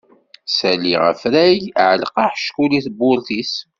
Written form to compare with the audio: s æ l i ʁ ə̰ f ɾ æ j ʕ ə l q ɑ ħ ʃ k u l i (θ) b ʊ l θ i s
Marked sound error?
no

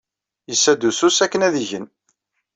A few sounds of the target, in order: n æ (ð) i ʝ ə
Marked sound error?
no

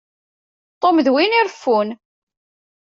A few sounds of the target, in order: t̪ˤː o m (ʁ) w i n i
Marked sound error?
yes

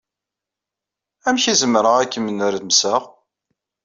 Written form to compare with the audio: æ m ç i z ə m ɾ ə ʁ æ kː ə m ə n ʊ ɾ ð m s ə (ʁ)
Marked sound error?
no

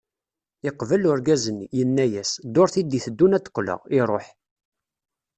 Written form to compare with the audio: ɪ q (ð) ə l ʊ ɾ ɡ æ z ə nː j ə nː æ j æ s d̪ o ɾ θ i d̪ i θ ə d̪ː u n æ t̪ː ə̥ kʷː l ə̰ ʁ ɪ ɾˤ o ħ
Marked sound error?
yes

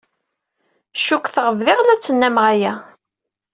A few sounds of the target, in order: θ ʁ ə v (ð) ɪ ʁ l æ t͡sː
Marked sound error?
no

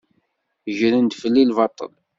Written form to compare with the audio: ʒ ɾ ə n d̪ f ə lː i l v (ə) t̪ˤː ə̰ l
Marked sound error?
yes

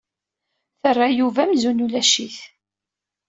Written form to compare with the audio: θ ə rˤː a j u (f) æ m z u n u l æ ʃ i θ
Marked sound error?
yes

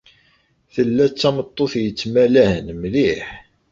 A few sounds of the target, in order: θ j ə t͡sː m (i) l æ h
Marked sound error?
yes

